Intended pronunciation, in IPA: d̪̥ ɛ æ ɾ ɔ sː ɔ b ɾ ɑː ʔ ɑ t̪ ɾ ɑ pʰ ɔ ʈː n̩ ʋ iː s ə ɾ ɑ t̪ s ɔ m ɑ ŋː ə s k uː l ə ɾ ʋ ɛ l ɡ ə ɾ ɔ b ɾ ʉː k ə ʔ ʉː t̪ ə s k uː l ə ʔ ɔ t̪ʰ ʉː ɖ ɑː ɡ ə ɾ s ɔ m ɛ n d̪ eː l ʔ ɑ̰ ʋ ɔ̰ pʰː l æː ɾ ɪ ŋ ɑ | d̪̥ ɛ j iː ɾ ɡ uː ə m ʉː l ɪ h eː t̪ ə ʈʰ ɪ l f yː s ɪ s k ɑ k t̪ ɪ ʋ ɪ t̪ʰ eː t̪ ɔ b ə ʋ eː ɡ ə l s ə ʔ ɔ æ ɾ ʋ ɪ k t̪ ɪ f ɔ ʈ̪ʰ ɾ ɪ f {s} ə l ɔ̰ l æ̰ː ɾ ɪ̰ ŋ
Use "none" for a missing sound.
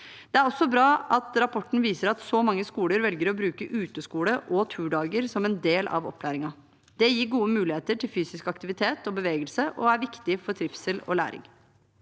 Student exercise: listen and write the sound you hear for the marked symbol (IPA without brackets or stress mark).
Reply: s